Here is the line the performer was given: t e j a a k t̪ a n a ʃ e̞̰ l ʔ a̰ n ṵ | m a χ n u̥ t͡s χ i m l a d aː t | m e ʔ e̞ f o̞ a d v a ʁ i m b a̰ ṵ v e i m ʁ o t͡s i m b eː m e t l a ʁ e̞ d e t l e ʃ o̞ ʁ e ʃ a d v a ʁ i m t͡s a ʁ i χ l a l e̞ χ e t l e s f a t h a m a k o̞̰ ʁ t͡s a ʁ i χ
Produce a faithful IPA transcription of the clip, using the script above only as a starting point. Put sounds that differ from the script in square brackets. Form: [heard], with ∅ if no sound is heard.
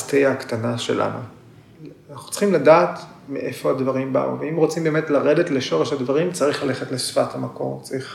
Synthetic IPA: t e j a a k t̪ a n a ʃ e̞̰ l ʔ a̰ n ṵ | [n] a χ n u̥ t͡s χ i m l a d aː t | m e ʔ e̞ f o̞ a d v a ʁ i m b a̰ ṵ v e i m ʁ o t͡s i m b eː m e t l a ʁ e̞ d e t l e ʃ o̞ ʁ e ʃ a d v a ʁ i m t͡s a ʁ i χ l a l e̞ χ e t l e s f a t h a m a k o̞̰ ʁ t͡s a ʁ i χ